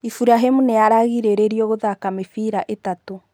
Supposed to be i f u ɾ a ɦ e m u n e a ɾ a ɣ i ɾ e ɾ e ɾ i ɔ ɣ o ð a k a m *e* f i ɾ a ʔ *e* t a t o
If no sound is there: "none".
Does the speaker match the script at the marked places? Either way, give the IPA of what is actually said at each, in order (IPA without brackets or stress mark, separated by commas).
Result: e, e